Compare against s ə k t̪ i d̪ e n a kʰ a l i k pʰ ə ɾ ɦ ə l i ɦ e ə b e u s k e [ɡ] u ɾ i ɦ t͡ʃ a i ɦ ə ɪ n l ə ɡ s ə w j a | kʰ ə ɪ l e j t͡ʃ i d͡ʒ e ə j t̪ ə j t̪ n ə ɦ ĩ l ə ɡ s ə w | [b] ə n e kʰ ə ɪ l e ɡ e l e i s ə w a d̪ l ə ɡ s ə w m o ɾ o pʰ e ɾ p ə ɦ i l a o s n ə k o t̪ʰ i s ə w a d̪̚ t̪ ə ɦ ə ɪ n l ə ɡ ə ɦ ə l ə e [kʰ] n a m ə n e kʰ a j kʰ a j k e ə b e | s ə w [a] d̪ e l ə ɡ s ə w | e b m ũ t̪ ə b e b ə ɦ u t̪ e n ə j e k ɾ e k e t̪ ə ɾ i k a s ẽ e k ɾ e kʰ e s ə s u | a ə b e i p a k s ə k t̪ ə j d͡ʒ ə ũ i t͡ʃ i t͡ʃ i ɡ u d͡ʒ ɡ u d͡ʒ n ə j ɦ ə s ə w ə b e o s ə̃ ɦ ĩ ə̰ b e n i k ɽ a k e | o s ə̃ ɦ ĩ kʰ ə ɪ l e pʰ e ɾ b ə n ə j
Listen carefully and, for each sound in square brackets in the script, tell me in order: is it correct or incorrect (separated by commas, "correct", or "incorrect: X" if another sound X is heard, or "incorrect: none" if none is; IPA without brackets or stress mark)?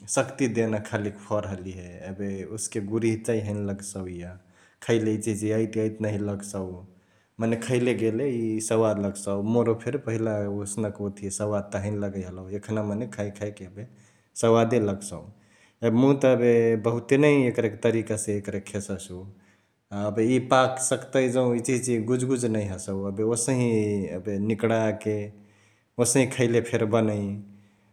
correct, incorrect: m, correct, correct